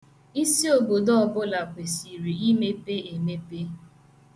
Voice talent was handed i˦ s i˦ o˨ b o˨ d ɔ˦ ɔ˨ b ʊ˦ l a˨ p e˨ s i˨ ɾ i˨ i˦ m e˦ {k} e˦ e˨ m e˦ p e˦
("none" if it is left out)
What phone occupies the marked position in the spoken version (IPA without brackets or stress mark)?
p